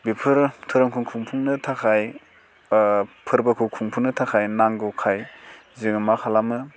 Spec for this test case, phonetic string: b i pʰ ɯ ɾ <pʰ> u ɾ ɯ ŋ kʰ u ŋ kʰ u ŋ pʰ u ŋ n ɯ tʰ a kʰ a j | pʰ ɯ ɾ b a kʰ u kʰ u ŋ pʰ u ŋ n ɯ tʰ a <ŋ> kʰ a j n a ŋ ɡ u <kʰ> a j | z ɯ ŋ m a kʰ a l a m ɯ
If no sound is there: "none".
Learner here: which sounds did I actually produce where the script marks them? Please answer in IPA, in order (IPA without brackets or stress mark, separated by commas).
tʰ, none, kʰ